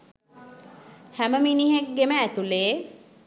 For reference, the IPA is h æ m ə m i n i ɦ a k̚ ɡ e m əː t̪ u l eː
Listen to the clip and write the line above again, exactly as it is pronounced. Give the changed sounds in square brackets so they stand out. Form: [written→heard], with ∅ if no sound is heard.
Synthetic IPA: h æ m ə m i n i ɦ [a→e] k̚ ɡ e m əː t̪ u l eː